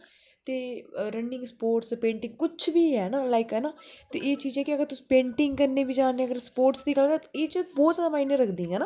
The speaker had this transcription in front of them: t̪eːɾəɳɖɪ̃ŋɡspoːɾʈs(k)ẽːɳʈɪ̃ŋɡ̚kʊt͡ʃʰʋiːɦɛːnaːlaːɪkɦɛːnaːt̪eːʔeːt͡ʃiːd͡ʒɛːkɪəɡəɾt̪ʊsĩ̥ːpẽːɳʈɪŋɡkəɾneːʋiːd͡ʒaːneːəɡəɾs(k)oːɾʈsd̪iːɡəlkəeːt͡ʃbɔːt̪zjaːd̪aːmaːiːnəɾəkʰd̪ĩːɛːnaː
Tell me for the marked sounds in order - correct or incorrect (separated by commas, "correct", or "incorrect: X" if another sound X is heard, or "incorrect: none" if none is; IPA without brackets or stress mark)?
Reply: incorrect: p, incorrect: p